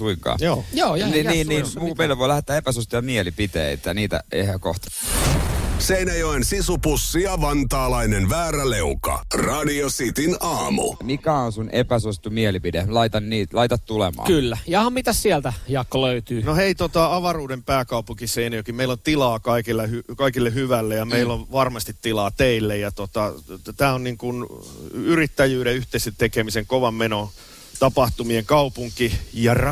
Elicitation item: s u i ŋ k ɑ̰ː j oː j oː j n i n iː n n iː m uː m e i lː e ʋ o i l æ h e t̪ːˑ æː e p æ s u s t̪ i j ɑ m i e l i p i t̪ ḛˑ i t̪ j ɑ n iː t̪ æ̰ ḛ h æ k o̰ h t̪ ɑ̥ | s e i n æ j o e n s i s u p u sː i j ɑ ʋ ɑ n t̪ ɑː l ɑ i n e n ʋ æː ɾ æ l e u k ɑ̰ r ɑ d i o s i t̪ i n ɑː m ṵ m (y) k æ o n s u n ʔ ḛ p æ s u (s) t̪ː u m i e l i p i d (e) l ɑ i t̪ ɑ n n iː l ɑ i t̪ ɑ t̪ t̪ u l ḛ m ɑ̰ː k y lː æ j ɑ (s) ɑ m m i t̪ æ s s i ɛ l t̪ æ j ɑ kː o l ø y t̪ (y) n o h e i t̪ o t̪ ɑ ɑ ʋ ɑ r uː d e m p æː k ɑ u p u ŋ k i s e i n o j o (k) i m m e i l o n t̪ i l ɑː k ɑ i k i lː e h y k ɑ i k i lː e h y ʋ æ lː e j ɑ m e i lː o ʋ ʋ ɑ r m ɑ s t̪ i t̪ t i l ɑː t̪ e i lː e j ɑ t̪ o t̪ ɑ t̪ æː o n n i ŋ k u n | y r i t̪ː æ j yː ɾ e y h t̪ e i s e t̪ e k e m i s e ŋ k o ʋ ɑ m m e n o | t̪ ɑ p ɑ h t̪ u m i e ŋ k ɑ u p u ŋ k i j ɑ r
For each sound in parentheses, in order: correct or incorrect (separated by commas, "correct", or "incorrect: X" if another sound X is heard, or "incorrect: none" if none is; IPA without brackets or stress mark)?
incorrect: i, correct, correct, incorrect: h, incorrect: yː, correct